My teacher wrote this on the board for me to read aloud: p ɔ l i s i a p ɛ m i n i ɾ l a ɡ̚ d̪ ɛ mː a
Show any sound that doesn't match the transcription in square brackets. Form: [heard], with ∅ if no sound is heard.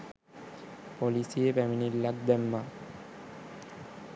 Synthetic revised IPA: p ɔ l i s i [e] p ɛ m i n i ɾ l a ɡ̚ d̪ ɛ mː a